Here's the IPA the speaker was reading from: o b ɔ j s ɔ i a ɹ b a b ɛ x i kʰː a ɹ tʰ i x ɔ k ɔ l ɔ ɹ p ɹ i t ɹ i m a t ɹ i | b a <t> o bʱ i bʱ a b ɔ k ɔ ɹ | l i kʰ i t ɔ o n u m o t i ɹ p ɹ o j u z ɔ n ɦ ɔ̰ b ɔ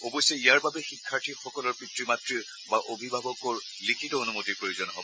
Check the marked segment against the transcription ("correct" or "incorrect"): incorrect